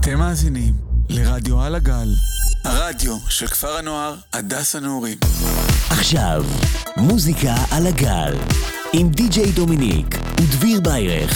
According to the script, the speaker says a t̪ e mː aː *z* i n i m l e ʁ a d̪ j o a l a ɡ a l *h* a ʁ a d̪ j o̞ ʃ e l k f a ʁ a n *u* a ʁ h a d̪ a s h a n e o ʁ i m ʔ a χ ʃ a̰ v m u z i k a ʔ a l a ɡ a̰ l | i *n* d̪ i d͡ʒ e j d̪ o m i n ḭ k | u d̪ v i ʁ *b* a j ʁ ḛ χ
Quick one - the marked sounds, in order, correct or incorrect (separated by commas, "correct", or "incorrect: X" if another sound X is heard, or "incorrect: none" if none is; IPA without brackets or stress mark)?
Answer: correct, correct, incorrect: o, incorrect: m, correct